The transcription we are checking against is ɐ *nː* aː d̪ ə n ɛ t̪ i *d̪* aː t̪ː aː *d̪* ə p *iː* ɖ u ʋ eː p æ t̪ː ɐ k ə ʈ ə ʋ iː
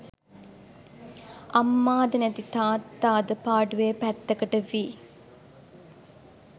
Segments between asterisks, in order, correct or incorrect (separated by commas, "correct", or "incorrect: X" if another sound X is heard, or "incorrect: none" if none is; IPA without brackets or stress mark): incorrect: mː, incorrect: t̪, correct, incorrect: aː